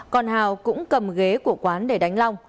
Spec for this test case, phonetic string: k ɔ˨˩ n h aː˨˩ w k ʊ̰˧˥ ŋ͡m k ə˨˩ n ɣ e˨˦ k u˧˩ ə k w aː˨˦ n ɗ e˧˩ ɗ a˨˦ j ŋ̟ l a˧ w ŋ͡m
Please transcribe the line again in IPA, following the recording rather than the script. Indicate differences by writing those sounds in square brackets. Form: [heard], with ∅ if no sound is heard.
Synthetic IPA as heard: k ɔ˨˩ n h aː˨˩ w k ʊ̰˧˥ ŋ͡m k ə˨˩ [m] ɣ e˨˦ k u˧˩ ə k w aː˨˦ n ɗ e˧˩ ɗ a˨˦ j ŋ̟ l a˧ w ŋ͡m